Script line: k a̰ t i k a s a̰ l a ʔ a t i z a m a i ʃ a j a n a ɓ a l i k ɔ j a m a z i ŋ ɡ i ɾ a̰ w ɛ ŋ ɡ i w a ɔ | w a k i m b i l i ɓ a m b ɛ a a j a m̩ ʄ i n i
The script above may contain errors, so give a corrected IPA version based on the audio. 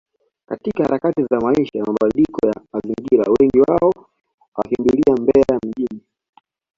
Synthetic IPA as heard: k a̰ t i k a h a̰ ɾ a k a t i z a m a i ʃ a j a m a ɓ a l i k ɔ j a m a z i ŋ ɡ i ɾ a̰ w ɛ ŋ ɡ i w a ɔ | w a k i m b i l i a m b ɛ ɛ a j a m̩ ʄ i n i